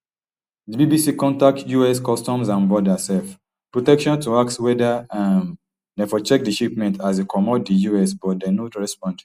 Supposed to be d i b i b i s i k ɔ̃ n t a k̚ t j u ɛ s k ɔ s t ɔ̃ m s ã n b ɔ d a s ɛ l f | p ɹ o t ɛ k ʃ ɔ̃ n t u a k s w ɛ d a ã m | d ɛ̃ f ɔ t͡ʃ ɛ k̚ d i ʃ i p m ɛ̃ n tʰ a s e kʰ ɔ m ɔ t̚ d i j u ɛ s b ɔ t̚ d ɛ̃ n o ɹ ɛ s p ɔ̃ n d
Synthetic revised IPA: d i b i b i s i k ɔ̃ n t a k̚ t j u ɛ s k ɔ s t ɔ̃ m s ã n b ɔ d a s ɛ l f | p ɹ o t ɛ k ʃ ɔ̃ n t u a k s w ɛ d a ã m | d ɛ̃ f ɔ t͡ʃ ɛ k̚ d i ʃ i p m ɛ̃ n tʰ a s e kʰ ɔ m ɔ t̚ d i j u ɛ s b ɔ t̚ d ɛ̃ n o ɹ ɛ s p ɔ̃ n d